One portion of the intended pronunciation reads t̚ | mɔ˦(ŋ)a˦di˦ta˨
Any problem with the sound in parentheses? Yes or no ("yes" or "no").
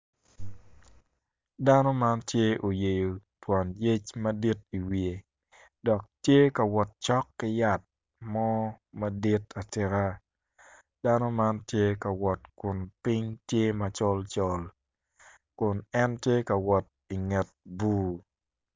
yes